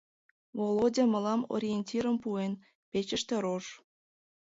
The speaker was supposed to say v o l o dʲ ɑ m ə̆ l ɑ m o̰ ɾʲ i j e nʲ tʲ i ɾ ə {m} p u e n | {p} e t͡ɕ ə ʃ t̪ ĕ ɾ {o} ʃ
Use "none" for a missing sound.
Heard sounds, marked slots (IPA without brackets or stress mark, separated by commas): m, p, o